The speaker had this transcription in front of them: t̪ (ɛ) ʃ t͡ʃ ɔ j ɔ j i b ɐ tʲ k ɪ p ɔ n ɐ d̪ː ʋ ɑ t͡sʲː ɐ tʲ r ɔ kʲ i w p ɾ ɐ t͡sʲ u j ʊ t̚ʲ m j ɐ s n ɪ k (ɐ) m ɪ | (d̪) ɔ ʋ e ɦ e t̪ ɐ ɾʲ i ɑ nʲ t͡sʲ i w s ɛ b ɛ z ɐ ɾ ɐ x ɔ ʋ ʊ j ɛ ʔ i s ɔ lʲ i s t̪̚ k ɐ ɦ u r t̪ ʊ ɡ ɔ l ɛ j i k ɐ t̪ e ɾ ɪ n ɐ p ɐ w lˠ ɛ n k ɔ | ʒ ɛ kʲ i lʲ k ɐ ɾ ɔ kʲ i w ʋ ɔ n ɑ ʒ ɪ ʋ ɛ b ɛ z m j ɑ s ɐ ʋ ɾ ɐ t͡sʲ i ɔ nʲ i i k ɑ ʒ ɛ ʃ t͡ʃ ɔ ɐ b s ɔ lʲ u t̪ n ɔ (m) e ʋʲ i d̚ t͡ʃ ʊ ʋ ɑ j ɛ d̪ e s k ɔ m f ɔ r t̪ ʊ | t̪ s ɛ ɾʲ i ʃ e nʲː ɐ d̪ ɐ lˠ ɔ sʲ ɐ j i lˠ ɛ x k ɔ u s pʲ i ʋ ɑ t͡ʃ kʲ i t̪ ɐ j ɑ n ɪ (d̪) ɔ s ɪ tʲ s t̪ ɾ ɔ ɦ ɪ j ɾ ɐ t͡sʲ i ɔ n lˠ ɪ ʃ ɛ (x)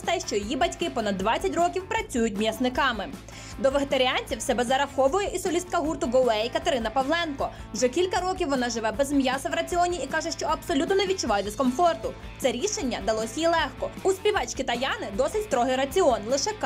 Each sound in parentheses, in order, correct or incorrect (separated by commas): correct, incorrect, correct, incorrect, correct, incorrect